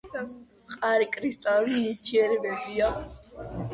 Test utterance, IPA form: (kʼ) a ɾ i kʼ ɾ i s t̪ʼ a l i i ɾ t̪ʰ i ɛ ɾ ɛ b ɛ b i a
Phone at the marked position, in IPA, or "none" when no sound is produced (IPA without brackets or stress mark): qʼ